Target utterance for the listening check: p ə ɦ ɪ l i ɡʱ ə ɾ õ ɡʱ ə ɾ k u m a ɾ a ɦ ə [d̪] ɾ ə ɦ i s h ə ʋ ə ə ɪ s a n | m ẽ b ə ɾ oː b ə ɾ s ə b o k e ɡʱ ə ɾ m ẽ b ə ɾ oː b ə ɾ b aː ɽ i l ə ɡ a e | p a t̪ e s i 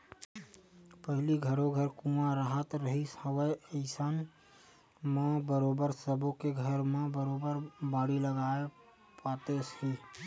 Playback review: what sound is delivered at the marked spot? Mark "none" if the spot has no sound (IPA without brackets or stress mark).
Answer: t̪